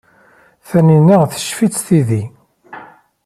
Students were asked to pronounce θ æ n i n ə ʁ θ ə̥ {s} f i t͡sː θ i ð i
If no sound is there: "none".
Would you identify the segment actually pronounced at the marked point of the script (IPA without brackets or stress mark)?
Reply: ʃ